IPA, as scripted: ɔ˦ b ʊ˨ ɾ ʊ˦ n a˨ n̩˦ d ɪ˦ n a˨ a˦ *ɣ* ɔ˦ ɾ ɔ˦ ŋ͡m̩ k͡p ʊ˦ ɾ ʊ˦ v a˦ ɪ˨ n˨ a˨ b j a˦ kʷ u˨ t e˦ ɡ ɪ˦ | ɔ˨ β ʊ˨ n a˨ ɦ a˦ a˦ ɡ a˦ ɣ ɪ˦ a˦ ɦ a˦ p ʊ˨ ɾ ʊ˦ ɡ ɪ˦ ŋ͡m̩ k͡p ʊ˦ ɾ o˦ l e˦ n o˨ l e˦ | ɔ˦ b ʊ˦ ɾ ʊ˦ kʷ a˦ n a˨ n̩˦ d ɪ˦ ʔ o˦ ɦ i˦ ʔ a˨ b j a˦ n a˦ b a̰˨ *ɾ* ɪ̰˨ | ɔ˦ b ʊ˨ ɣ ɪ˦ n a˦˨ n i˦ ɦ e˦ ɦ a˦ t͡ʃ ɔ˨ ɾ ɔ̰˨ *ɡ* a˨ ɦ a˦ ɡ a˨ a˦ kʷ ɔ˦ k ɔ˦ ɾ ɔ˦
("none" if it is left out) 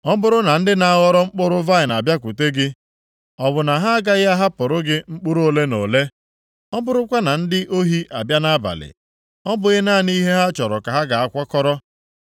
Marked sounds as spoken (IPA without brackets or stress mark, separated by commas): ɣ, l, k